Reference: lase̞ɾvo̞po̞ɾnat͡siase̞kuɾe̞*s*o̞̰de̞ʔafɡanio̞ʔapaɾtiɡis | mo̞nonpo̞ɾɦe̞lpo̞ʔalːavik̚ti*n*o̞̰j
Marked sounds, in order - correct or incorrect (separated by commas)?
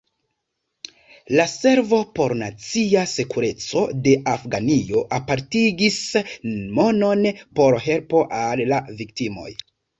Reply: incorrect, incorrect